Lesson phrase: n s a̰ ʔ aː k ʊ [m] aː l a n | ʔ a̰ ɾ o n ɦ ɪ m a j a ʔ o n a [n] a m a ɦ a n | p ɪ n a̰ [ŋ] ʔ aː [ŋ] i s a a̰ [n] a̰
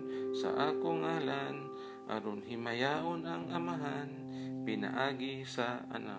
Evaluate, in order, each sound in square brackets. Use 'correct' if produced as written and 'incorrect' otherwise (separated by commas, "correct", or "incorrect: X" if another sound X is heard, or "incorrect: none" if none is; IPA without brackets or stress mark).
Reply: incorrect: ŋ, incorrect: ŋ, incorrect: none, incorrect: ɡ, correct